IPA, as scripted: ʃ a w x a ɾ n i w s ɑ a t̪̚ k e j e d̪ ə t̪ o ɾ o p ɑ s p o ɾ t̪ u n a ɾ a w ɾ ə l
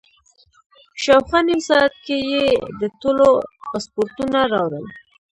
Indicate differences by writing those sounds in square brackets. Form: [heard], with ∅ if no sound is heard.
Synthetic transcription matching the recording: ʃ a w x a [∅] n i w s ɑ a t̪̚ k e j e d̪ ə t̪ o [l] o p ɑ s p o ɾ t̪ u n a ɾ [ɑ] w ɾ ə l